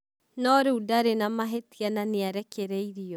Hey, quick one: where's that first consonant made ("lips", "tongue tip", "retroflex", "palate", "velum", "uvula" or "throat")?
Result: tongue tip